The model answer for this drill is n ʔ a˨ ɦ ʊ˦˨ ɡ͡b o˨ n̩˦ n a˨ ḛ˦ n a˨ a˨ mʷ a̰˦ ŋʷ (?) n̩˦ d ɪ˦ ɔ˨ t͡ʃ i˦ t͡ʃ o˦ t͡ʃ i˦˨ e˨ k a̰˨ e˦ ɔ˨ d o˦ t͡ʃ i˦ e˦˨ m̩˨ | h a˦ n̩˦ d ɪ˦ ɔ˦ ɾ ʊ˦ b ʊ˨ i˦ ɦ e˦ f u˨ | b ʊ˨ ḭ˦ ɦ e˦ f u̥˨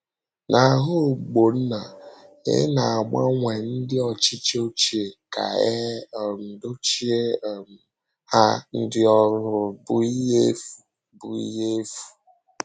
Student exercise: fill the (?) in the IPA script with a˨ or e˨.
e˨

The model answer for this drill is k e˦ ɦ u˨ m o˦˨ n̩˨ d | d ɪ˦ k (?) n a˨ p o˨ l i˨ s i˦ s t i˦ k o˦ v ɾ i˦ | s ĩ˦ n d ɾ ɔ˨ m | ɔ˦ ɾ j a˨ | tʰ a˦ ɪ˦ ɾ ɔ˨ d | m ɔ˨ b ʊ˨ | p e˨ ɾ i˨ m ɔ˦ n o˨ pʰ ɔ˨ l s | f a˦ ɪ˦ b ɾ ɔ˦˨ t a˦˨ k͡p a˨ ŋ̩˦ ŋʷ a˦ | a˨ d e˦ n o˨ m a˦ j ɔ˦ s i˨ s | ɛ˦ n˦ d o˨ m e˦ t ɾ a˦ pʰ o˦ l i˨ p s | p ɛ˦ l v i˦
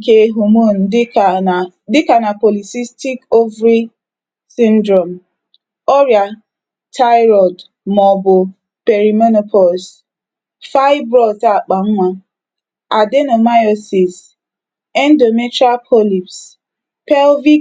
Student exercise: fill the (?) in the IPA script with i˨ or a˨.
a˨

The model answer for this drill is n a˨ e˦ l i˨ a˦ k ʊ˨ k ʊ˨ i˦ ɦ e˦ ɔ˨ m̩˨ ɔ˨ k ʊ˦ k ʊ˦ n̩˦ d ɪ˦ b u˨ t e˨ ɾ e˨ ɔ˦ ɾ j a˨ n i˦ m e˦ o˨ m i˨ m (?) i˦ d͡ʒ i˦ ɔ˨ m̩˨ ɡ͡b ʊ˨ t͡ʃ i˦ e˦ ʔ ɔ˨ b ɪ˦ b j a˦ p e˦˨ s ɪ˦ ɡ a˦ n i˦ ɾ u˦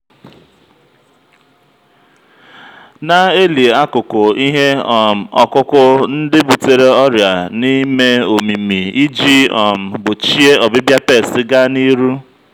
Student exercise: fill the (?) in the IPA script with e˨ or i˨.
i˨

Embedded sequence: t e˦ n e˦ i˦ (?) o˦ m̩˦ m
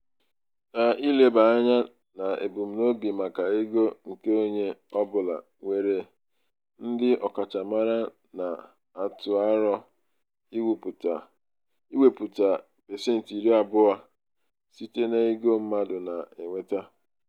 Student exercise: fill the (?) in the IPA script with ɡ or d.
ɡ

